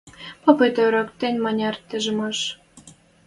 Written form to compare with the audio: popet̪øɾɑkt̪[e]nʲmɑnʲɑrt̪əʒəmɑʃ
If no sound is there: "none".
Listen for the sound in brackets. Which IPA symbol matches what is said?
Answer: e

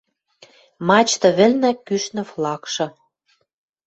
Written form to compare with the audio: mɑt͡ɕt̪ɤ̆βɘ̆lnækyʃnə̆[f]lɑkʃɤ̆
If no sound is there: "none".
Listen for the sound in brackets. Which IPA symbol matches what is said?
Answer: f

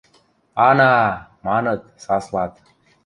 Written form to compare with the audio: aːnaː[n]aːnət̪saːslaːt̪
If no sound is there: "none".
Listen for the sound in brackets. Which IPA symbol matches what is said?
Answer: m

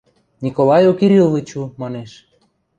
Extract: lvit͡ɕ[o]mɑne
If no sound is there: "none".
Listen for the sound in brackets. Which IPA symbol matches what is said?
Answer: u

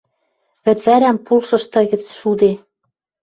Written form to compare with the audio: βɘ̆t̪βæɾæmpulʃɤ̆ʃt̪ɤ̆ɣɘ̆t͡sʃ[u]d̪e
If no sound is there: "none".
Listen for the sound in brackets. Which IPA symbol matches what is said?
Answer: u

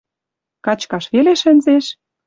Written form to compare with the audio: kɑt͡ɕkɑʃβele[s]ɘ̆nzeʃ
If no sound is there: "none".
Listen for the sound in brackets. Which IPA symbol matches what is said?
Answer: ʃ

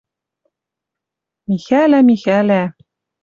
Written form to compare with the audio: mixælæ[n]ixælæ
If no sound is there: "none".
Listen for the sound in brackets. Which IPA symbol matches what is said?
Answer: m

